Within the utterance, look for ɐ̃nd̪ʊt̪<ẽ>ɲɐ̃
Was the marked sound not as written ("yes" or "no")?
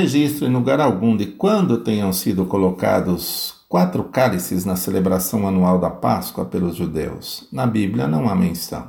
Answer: no